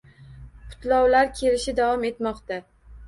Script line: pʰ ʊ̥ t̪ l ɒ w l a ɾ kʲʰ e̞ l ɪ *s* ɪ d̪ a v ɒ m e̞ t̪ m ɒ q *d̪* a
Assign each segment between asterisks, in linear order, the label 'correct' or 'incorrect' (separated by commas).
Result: incorrect, incorrect